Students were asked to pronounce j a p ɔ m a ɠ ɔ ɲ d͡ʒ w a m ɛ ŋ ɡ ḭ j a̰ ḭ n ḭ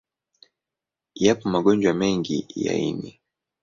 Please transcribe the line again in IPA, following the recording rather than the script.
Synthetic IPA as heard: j a p ɔ m a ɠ ɔ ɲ d͡ʒ w a m ɛ ŋ ɡ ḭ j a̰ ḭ n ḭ